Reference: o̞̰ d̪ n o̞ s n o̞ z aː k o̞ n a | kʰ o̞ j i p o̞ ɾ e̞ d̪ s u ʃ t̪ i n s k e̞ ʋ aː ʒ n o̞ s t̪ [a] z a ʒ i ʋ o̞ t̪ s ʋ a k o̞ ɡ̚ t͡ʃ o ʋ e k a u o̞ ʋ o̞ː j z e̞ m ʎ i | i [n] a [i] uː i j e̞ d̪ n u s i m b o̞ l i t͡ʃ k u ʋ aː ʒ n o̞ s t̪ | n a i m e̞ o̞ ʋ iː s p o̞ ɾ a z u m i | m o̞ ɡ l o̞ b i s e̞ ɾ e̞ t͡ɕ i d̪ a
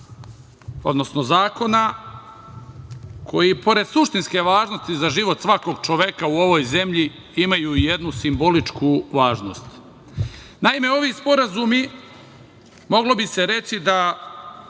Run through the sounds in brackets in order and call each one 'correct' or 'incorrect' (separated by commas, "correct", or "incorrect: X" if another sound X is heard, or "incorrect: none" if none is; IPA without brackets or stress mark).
incorrect: i, incorrect: m, incorrect: j